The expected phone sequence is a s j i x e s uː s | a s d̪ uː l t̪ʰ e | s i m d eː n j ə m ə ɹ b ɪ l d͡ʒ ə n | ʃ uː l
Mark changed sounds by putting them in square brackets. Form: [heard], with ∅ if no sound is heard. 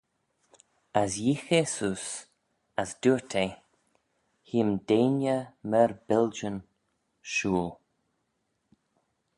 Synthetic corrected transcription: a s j i x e s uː s | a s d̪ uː [ɹ] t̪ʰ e | [h] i m d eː n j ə m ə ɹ b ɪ l d͡ʒ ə n | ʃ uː l

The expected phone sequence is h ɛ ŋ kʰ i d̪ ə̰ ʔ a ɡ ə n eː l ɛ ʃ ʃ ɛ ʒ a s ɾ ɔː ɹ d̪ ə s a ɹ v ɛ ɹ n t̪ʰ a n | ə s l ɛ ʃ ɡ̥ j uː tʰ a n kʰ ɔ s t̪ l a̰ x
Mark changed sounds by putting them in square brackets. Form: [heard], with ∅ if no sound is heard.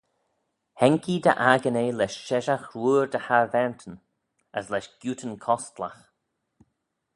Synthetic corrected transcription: h ɛ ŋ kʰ i d̪ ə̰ ʔ a ɡ ə n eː l ɛ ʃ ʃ ɛ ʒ a [x] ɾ [uː] ɹ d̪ ə [h] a ɹ v ɛ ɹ n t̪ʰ [ə] n | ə s l ɛ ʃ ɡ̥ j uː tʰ [ə] n kʰ ɔ s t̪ l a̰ x

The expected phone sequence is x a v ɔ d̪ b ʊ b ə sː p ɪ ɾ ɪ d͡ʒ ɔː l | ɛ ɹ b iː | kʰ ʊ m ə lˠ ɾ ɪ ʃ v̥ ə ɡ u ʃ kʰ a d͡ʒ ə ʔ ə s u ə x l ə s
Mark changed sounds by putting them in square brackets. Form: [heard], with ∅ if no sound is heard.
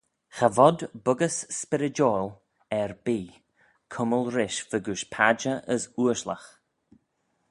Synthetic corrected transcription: x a v ɔ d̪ b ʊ [ɡ] ə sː p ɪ ɾ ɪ d͡ʒ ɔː l | ɛ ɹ b iː | kʰ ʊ m ə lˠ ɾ ɪ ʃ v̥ ə ɡ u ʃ [pʰ] a d͡ʒ ə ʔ ə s u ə [ʃ] l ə [x]

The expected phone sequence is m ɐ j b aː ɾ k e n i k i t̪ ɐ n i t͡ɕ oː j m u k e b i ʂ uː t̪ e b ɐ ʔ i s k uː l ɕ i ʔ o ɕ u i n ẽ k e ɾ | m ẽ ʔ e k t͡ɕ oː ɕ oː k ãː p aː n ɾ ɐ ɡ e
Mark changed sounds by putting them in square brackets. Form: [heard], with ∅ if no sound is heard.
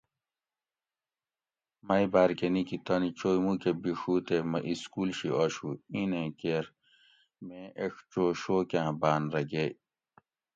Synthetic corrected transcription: m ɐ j b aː ɾ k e n i k i t̪ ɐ n i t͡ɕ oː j m u k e b i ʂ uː t̪ e [m] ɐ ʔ i s k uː l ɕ i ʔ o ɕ u i n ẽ k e ɾ | m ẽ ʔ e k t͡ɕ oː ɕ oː k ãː [b] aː n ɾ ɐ ɡ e

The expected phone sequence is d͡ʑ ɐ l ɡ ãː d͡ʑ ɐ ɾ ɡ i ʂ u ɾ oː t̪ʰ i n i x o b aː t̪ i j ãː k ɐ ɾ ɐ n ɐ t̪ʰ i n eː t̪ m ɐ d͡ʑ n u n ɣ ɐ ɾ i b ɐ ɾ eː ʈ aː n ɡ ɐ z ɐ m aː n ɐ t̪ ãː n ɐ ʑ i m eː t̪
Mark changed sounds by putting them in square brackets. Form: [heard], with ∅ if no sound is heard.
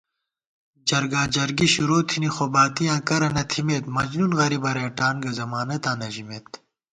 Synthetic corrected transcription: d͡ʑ ɐ [ɾ] ɡ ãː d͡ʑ ɐ ɾ ɡ i [ɕ] u ɾ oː t̪ʰ i n i x o b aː t̪ i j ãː k ɐ ɾ ɐ n ɐ t̪ʰ i [m] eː t̪ m ɐ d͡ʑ n u n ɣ ɐ ɾ i b ɐ ɾ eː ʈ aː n ɡ ɐ z ɐ m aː n ɐ t̪ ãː n ɐ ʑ i m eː t̪

